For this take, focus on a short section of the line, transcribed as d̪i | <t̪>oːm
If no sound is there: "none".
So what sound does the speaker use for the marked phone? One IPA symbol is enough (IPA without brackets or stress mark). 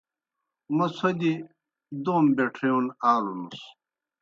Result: d̪